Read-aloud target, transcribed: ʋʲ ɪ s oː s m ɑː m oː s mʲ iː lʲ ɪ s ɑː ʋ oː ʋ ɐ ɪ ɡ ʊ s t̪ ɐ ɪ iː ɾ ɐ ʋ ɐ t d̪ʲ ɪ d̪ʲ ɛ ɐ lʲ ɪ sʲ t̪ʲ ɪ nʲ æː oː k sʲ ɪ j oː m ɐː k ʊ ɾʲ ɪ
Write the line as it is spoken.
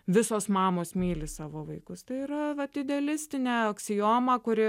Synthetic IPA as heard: ʋʲ ɪ s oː s m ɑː m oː s mʲ iː lʲ ɪ s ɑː ʋ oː ʋ ɐ ɪ k ʊ s t̪ ɐ ɪ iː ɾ ɐ ʋ ɐ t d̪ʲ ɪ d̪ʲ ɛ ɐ lʲ ɪ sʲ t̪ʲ ɪ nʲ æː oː k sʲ ɪ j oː m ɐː k ʊ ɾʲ ɪ